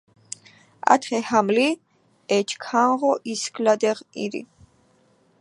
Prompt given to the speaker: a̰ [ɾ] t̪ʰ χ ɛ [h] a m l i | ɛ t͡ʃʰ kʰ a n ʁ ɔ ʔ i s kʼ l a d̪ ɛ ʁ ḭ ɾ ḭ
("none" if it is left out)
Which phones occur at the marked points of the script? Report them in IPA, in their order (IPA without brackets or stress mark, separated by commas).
none, h